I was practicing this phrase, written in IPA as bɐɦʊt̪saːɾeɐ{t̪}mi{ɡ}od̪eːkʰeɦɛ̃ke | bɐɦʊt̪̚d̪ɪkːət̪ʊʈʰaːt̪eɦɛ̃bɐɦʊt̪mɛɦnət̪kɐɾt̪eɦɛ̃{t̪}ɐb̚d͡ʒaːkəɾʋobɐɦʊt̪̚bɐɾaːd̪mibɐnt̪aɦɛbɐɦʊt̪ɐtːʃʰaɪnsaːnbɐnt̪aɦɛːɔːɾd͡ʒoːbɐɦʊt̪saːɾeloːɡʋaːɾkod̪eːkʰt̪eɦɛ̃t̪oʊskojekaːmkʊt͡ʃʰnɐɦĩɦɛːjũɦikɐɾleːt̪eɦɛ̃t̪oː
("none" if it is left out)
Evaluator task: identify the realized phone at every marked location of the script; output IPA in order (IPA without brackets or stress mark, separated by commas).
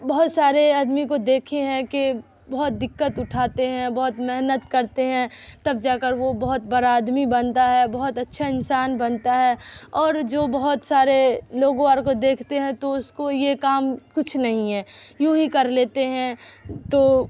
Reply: d̪, k, t̪